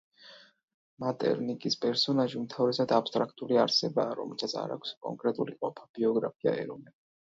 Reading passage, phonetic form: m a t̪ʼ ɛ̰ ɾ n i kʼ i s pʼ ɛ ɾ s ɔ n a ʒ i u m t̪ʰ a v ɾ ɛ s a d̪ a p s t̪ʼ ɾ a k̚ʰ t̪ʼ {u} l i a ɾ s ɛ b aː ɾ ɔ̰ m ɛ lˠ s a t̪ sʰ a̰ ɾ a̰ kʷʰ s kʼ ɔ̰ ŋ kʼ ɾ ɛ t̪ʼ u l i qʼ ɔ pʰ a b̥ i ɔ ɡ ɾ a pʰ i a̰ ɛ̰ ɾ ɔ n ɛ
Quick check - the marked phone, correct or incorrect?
correct